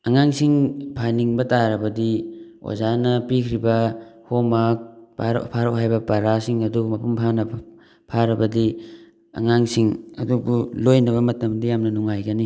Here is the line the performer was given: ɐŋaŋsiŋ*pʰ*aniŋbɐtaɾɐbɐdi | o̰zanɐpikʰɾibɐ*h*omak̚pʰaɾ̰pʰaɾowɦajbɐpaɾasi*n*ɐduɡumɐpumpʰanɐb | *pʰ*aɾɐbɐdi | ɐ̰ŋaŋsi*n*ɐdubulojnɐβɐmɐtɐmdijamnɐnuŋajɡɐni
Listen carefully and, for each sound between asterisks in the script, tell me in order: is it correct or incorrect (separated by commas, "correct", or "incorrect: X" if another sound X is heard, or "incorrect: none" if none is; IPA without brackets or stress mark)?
correct, correct, incorrect: ŋ, correct, incorrect: ŋ